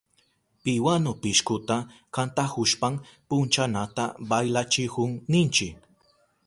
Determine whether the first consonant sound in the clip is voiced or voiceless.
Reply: voiceless